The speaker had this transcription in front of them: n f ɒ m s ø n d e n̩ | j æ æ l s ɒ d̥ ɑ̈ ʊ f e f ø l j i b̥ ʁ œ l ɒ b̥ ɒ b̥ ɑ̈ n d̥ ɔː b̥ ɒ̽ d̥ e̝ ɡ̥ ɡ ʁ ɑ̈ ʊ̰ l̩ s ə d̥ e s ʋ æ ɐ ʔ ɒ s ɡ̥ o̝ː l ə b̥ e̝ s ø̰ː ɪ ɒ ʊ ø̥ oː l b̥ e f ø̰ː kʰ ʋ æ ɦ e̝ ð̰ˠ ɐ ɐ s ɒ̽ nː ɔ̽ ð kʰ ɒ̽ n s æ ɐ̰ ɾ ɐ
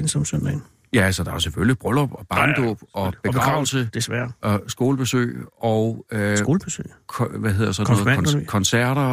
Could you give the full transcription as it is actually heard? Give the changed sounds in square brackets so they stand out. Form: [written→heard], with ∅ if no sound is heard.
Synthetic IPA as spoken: n [f→s] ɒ m s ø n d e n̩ | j æ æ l s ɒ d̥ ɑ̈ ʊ [f→s] e f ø l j i b̥ ʁ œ l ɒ b̥ ɒ b̥ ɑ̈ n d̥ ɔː b̥ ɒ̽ [d̥→b̥] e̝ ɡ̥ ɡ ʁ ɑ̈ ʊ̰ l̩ s ə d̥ e s ʋ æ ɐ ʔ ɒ s ɡ̥ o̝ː l ə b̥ e̝ s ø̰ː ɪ ɒ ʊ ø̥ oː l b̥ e [f→s] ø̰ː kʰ ʋ æ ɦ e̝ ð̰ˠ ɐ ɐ s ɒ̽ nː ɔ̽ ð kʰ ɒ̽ n s æ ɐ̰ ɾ ɐ